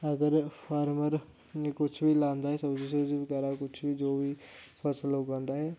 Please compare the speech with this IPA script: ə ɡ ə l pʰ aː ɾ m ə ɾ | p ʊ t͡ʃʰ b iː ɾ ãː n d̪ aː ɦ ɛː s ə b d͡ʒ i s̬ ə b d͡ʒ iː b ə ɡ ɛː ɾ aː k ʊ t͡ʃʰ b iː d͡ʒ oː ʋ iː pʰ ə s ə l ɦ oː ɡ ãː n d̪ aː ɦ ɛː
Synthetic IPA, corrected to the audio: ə ɡ ə ɾ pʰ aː ɾ m ə ɾ | k ʊ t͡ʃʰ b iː l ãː n d̪ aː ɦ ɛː s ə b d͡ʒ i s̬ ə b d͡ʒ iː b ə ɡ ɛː ɾ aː k ʊ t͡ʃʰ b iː d͡ʒ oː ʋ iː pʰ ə s ə l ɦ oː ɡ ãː n d̪ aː ɦ ɛː